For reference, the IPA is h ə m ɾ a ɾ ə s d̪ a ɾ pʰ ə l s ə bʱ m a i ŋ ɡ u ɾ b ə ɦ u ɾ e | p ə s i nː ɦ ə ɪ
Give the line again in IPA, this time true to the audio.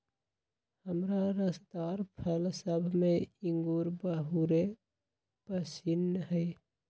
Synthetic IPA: h ə m ɾ a ɾ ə s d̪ a ɾ pʰ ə l s ə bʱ m e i ŋ ɡ u ɾ b ə ɦ u ɾ e | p ə s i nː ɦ ə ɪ